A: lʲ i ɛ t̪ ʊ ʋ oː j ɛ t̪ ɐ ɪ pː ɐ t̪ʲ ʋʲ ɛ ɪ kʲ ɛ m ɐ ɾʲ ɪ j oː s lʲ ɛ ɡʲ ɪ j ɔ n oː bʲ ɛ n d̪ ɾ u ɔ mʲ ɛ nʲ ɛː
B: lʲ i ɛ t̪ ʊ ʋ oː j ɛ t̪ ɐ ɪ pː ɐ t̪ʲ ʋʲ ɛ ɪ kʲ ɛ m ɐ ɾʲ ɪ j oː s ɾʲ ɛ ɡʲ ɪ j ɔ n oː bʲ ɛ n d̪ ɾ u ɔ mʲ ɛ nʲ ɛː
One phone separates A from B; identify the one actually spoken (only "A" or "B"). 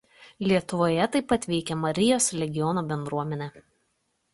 A